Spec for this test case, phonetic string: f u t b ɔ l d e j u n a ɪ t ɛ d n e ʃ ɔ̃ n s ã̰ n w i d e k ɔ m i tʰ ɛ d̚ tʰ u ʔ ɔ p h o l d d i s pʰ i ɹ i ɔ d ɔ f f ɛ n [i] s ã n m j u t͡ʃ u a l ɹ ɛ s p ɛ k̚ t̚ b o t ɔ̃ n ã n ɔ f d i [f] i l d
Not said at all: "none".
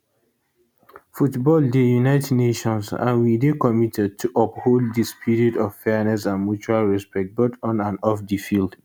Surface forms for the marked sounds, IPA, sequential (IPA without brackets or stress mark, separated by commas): ɛ, f